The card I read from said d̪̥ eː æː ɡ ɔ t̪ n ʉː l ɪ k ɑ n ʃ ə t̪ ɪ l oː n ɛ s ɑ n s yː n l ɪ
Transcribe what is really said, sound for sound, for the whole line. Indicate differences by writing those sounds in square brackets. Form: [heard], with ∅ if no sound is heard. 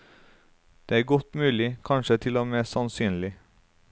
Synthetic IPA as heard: d̪̥ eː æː ɡ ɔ t̪ [m] ʉː l ɪ [kʰ] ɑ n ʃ ə [t̪ʰ] ɪ l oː [m] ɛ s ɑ n s yː n l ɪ

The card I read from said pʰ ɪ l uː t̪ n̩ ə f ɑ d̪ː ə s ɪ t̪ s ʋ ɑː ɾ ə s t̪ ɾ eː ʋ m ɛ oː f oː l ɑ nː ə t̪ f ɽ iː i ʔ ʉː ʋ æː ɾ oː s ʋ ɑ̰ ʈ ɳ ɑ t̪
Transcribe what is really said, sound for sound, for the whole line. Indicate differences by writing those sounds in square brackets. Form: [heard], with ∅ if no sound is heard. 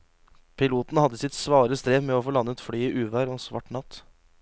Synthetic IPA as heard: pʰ ɪ l uː t̪ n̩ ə [h] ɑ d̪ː ə s ɪ t̪ s ʋ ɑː ɾ ə s t̪ ɾ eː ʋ m ɛ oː f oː l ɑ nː ə t̪ f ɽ [yː] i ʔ ʉː ʋ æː ɾ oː s ʋ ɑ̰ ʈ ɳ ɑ t̪

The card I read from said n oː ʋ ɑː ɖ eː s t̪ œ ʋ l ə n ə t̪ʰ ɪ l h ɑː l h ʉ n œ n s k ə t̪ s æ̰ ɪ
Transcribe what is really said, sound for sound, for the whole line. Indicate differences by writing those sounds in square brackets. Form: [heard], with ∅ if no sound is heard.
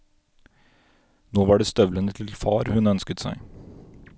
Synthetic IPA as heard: n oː ʋ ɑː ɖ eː s t̪ œ ʋ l ə n ə t̪ʰ ɪ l [f] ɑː [ɾ] h ʉ n œ n s k ə t̪ s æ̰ ɪ

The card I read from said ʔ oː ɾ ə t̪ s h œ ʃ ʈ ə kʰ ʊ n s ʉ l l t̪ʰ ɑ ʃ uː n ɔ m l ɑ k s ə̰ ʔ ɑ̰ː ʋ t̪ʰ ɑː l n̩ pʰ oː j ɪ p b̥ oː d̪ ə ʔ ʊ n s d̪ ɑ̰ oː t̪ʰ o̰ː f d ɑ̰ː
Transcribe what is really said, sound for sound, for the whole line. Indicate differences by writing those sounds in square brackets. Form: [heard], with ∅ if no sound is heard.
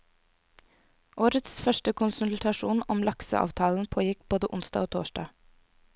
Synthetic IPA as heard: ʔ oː ɾ ə t̪ s [f] œ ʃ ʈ ə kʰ ʊ n s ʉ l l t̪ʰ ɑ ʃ uː n ɔ m l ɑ k s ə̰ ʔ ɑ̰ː ʋ t̪ʰ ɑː l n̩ pʰ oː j ɪ [k] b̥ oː d̪ ə ʔ ʊ n s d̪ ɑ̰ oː t̪ʰ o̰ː [ʃ] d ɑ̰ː

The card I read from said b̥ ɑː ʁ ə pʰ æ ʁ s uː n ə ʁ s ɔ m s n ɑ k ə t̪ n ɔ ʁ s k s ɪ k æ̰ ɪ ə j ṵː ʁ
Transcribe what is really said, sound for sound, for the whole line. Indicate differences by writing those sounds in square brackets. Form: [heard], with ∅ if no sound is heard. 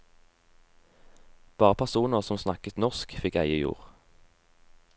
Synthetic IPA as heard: b̥ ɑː ʁ ə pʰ æ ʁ s uː n ə ʁ s ɔ m s n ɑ k ə t̪ n ɔ ʁ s k [f] ɪ k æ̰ ɪ ə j ṵː ʁ

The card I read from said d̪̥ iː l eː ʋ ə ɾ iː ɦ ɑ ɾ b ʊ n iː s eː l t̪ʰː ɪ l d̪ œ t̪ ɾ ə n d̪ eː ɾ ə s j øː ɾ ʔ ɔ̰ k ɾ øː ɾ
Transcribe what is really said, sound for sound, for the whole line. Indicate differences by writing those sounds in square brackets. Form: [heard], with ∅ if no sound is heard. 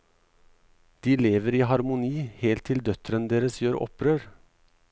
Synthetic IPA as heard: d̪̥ iː l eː ʋ ə ɾ iː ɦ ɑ ɾ [m] ʊ n iː [h] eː l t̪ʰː ɪ l d̪ œ t̪ ɾ ə n d̪ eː ɾ ə s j øː ɾ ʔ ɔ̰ [p] ɾ øː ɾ

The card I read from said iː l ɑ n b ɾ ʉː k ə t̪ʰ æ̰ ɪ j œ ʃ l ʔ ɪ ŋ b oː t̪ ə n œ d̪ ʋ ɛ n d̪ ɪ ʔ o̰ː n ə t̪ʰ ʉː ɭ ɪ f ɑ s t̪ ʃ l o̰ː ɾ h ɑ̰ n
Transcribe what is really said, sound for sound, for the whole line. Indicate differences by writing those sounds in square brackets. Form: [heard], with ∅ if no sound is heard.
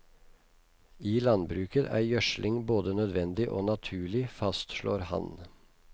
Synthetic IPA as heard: iː l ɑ n b ɾ ʉː k ə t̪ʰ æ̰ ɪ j œ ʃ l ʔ ɪ ŋ b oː [d̪] ə n œ d̪ ʋ ɛ n d̪ ɪ ʔ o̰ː n [ɑ] t̪ʰ ʉː ɭ ɪ f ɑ s t̪ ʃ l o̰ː ɾ h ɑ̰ n

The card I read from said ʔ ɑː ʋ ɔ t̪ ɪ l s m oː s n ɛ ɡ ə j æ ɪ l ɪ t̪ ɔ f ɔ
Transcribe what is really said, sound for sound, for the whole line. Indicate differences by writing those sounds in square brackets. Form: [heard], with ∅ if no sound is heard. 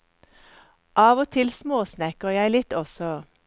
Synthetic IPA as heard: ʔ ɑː ʋ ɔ [t̪ʰ] ɪ l s m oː s n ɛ [k] ə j æ ɪ l ɪ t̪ ɔ [s] ɔ

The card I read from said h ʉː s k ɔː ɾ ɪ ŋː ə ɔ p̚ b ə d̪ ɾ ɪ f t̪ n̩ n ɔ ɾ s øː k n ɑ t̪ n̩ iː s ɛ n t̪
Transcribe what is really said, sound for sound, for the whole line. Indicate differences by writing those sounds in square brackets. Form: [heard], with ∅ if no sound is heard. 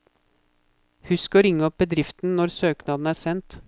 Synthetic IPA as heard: h [ʉ] s k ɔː ɾ ɪ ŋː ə ɔ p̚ b ə d̪ ɾ ɪ f t̪ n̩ n ɔ ɾ s øː k n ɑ [d̪] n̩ [æː] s ɛ n t̪

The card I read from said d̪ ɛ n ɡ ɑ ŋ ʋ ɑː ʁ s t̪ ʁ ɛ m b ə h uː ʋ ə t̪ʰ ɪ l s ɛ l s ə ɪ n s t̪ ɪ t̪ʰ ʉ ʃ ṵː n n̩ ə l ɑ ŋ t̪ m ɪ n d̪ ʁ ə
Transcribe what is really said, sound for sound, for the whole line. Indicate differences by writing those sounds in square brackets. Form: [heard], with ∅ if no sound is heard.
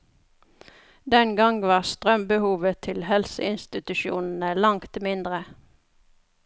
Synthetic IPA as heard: d̪ ɛ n ɡ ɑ ŋ ʋ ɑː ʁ s t̪ ʁ [œ] m b ə h uː ʋ ə t̪ʰ ɪ l [h] ɛ l s ə ɪ n s t̪ ɪ [t̪] ʉ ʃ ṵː n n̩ ə l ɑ ŋ t̪ m ɪ n d̪ ʁ ə

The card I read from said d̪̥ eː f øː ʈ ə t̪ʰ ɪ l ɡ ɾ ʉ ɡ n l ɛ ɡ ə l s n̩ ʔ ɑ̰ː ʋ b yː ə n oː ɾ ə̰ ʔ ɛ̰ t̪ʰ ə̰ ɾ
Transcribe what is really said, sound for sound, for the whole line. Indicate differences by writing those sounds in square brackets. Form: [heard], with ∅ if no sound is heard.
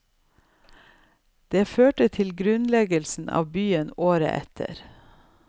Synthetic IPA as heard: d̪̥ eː f øː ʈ ə t̪ʰ ɪ l ɡ ɾ ʉ [∅] n l ɛ ɡ ə l s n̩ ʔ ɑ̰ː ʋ b yː ə n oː ɾ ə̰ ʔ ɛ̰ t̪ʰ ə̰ ɾ

